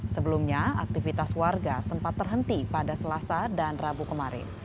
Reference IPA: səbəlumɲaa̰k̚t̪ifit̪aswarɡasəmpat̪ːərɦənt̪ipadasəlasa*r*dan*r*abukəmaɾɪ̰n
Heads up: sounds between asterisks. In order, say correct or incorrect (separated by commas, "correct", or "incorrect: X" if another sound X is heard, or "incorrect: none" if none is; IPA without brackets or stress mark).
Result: incorrect: none, correct